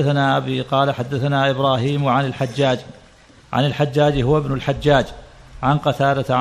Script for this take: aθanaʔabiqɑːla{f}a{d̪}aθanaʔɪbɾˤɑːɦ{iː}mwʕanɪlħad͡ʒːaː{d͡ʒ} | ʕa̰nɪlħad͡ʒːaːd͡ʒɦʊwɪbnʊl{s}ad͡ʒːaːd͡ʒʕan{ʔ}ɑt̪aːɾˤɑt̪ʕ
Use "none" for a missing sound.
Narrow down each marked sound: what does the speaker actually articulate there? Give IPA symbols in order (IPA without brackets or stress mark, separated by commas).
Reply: ħ, d̪ː, iː, d͡ʒ, ħ, q